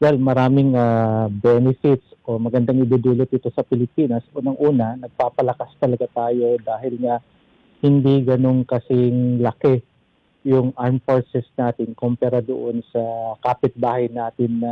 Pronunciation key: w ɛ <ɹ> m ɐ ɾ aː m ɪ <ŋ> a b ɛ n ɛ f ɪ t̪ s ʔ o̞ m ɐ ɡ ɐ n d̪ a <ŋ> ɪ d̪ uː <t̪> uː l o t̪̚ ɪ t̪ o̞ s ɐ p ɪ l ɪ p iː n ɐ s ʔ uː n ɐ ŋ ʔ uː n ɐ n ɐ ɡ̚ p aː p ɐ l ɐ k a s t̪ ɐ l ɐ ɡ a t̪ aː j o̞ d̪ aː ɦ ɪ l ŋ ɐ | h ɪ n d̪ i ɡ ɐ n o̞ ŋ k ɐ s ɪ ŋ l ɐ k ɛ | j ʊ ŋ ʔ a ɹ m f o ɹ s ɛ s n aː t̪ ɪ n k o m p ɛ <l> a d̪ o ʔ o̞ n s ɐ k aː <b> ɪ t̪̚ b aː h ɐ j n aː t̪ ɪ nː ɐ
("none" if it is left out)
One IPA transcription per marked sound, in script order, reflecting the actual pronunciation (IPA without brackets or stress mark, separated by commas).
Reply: l, ŋ, ŋ, d̪, ɾ, p